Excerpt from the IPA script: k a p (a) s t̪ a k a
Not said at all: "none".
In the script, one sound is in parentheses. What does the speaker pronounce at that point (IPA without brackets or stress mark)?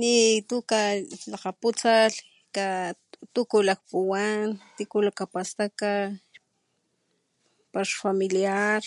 a